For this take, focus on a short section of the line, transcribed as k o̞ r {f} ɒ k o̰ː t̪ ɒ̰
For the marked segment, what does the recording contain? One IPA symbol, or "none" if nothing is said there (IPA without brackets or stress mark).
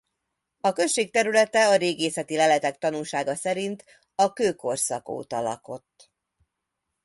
s